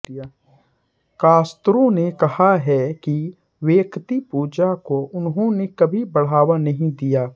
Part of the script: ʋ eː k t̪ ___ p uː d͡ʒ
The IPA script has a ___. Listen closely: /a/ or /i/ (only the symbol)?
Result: i